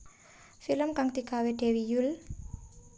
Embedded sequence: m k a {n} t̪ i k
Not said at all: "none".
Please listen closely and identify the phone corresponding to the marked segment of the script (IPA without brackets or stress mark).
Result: ŋ